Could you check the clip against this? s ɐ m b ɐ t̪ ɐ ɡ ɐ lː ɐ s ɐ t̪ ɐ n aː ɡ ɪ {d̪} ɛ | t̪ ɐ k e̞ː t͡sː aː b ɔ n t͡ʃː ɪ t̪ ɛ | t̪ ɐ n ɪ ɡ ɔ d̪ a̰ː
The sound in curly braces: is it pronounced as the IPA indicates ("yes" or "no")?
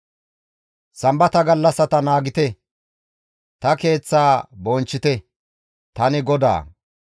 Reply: no